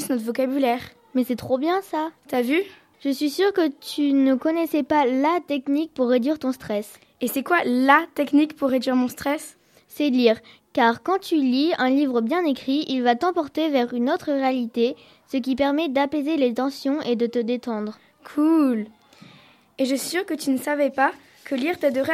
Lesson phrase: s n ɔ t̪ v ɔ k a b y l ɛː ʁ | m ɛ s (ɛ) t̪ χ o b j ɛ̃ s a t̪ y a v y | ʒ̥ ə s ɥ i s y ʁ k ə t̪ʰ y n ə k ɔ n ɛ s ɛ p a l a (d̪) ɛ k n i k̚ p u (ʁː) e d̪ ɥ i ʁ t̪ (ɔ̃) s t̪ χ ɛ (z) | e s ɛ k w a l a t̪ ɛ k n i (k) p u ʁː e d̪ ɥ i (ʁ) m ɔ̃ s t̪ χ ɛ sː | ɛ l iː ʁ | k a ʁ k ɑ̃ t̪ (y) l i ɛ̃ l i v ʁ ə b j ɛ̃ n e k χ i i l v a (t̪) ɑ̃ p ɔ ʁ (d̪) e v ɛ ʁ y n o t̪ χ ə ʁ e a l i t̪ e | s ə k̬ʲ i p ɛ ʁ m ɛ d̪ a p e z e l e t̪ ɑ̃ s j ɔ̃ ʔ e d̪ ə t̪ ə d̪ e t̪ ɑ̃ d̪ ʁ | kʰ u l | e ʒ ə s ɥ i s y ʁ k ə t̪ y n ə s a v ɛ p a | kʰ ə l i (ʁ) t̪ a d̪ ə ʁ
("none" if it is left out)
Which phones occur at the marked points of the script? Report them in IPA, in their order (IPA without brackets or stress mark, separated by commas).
ɛ, t̪, ʁː, ɔ̃, s, k, ʁ, y, t̪, t̪, ʁ